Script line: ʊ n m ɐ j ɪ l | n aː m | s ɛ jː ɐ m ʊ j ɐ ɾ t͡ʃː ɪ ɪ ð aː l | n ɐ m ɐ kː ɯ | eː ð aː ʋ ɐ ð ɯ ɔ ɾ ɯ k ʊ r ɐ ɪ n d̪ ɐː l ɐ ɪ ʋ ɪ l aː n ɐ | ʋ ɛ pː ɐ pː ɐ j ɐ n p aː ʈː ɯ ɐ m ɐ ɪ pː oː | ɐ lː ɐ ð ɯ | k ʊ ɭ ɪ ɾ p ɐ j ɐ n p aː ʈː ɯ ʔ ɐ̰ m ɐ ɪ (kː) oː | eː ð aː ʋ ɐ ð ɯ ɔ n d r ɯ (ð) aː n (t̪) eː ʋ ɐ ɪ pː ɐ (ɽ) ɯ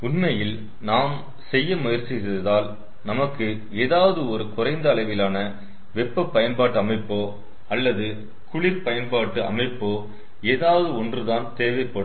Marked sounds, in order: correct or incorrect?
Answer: incorrect, correct, correct, correct

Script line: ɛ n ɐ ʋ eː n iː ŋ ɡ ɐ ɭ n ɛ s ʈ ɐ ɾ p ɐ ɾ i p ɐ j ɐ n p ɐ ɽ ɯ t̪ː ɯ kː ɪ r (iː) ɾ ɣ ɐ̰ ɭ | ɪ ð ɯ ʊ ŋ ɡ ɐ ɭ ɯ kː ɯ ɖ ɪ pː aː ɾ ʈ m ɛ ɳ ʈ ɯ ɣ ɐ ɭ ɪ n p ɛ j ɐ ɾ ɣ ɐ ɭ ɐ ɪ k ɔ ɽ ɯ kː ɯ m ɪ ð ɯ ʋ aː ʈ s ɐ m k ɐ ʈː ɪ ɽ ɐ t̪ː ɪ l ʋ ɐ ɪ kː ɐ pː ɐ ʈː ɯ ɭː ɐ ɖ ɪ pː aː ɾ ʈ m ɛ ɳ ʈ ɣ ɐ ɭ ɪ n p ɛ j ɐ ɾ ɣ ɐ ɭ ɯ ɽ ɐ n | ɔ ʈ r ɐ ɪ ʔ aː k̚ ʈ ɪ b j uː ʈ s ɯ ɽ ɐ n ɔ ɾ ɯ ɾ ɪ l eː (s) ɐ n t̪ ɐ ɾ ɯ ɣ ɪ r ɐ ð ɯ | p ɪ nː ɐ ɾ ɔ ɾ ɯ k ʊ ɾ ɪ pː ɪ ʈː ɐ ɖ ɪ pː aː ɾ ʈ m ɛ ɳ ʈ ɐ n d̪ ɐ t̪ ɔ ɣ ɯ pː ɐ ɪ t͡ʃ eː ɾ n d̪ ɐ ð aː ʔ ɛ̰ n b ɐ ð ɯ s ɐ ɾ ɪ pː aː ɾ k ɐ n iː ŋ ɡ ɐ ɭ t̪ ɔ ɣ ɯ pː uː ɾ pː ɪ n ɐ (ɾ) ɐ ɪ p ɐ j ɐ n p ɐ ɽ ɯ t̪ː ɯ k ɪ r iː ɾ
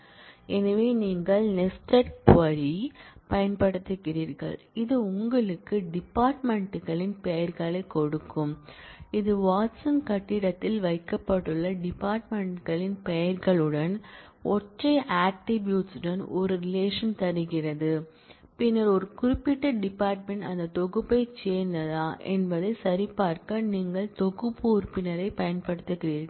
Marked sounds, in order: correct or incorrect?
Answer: correct, incorrect, correct

